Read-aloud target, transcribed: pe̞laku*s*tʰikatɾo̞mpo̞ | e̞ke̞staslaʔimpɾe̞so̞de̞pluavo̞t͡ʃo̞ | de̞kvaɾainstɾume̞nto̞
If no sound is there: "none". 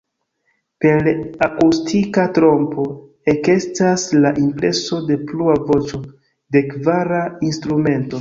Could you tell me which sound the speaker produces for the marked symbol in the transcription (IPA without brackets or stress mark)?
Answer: s